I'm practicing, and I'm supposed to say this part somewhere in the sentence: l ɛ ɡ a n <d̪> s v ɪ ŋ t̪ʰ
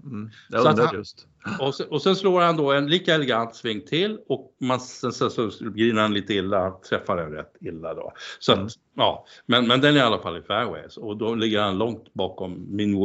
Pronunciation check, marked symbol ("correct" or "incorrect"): incorrect